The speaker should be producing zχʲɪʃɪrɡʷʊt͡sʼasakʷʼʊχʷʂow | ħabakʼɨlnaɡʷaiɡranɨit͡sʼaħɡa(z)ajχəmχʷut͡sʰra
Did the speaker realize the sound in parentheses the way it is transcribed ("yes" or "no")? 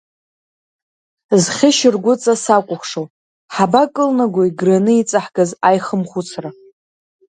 yes